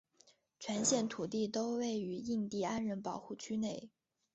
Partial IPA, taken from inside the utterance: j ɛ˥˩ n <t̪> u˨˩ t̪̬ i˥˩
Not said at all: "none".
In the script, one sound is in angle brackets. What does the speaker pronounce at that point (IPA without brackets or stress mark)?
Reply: t̪ʰ